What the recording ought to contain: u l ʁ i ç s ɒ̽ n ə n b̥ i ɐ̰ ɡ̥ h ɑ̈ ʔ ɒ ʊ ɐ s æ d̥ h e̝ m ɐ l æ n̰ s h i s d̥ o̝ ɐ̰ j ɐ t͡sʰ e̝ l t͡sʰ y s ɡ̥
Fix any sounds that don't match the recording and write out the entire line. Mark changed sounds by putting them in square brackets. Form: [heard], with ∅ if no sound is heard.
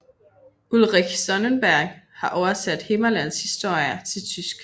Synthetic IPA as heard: u l ʁ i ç s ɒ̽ n ə n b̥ [æ] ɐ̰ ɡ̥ h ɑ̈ ʔ ɒ ʊ ɐ s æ d̥ h e̝ m ɐ l æ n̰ s h i s d̥ o̝ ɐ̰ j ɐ t͡sʰ e̝ l t͡sʰ y s ɡ̥